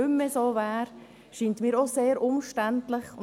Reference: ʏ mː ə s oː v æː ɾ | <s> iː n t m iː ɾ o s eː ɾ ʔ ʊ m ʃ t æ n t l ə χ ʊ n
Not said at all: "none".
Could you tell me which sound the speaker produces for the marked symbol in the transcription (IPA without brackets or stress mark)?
ʃ